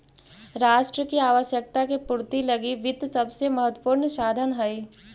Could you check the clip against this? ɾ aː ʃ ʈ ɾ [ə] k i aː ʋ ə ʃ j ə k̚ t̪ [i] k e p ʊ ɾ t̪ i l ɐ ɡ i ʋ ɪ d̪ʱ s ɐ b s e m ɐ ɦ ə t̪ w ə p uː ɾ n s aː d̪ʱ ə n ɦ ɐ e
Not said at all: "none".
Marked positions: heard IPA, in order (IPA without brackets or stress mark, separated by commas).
ə, a